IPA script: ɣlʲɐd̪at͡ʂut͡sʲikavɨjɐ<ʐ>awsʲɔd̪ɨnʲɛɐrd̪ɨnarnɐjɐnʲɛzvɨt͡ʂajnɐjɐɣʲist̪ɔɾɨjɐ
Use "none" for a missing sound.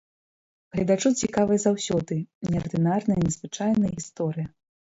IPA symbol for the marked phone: z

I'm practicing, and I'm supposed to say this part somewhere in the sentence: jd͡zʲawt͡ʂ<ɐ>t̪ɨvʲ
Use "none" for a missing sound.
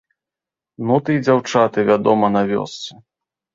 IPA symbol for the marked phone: a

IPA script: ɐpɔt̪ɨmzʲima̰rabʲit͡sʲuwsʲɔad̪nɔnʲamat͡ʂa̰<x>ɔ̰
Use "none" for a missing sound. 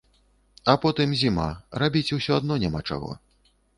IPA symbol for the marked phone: ɣ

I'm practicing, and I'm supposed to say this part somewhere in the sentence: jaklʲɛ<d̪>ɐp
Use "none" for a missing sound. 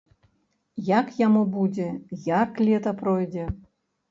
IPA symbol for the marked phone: t̪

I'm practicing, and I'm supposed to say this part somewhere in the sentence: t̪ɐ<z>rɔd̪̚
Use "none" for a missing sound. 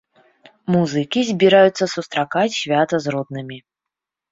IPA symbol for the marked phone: z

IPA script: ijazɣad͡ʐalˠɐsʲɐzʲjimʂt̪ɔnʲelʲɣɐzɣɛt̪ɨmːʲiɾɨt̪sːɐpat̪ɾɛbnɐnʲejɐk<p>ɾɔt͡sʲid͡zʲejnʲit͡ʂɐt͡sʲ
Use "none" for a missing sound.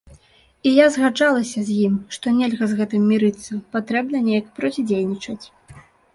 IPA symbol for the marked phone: p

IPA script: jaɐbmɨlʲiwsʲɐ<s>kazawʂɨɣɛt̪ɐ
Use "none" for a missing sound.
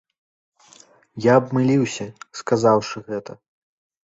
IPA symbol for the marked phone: s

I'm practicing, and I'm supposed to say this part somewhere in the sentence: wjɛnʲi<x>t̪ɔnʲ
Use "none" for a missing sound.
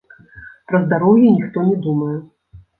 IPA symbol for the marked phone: x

